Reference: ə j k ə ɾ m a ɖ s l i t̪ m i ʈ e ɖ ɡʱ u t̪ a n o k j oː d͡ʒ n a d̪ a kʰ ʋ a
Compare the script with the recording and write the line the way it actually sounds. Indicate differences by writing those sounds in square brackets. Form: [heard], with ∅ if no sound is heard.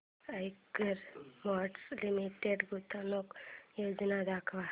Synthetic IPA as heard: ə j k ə ɾ m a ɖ s l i [∅] m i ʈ e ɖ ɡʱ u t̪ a n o k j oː d͡ʒ n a d̪ a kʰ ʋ a